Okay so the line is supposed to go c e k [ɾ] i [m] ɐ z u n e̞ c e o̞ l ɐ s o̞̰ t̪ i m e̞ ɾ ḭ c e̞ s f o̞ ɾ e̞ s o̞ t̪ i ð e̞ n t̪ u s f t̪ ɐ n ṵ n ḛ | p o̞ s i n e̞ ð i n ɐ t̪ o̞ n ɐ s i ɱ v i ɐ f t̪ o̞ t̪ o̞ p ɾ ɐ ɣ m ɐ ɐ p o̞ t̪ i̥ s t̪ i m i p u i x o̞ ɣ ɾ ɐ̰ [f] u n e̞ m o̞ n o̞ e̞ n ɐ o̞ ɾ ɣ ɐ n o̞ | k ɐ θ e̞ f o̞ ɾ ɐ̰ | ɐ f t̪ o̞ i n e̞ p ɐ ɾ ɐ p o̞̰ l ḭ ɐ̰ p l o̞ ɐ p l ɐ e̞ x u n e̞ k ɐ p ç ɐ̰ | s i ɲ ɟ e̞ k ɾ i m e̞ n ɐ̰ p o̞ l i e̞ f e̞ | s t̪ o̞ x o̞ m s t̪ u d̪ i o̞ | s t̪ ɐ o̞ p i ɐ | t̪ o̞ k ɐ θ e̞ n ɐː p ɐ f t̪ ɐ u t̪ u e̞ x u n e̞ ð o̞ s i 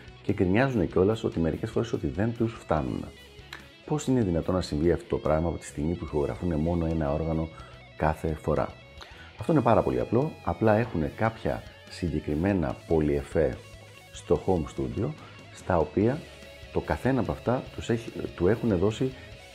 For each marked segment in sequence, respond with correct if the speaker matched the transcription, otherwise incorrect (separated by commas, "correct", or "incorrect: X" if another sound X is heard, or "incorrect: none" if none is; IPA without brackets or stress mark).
correct, incorrect: ɲ, correct